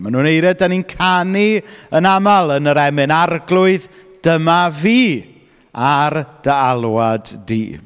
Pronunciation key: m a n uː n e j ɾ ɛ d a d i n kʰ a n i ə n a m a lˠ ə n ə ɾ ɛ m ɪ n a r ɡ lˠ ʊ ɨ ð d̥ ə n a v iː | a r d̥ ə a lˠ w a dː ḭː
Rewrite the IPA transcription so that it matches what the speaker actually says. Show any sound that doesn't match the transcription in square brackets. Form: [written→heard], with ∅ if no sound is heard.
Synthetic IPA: m a n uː n e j ɾ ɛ d a [d→n] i n kʰ a n i ə n a m a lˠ ə n ə ɾ ɛ m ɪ n a r ɡ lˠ ʊ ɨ ð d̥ ə [n→m] a v iː | a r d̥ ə a lˠ w a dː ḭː